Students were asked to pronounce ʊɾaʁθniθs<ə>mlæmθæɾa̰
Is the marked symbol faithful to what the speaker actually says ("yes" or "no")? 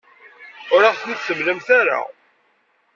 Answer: yes